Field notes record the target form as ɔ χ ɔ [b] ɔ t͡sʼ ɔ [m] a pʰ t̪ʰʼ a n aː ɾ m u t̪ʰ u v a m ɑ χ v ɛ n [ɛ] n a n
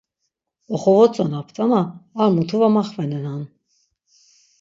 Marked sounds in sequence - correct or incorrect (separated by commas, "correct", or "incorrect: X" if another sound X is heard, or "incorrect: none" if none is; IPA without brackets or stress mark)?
incorrect: v, incorrect: n, correct